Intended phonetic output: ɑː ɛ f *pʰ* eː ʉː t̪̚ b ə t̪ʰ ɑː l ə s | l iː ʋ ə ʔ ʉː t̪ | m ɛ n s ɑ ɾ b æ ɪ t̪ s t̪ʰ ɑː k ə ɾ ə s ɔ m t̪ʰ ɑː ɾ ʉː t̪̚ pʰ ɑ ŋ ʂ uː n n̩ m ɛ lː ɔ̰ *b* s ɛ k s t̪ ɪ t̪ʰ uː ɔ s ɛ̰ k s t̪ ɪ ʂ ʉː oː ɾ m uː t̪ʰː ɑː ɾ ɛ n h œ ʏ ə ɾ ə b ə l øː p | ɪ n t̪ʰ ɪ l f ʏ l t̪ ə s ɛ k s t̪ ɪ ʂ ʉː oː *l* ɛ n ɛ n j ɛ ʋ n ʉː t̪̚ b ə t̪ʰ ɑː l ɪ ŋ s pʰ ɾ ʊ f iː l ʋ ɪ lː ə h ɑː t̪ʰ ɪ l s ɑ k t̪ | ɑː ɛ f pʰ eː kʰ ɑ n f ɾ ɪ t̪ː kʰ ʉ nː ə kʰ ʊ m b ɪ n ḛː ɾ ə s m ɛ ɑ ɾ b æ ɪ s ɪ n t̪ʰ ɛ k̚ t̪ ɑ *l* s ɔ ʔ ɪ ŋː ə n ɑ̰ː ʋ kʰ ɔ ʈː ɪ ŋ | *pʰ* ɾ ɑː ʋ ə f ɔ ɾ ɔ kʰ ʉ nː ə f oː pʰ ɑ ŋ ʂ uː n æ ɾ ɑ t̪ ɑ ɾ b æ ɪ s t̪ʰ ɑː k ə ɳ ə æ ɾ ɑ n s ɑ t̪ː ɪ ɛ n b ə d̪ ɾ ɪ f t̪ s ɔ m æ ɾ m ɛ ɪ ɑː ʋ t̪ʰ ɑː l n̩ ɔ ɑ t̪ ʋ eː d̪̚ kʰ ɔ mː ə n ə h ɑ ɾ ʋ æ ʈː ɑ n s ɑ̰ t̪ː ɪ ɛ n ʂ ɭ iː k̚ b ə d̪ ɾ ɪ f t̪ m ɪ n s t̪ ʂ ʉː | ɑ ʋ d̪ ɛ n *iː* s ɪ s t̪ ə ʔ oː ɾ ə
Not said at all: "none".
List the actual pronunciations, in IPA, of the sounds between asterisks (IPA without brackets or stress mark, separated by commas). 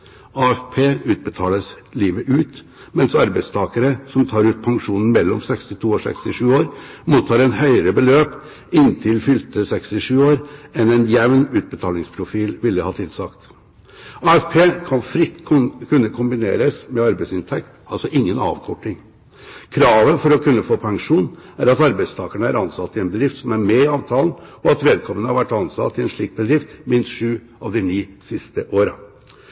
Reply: pʰ, m, ɾ, l, kʰ, iː